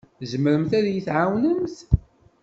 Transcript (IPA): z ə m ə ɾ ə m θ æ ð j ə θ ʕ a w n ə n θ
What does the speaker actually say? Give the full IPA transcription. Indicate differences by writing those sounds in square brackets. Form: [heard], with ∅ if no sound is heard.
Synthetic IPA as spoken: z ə m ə ɾ ə m θ æ ð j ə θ ʕ a w n ə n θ